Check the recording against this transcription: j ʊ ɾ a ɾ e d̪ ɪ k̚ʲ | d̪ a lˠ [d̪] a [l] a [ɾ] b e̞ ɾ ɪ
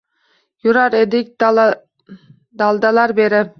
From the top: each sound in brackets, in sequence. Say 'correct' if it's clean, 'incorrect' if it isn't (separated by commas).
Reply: correct, correct, correct